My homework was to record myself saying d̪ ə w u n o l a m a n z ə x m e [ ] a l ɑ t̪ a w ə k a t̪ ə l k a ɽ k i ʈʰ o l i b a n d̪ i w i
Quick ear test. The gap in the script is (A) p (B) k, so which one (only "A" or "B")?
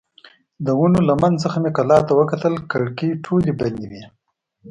B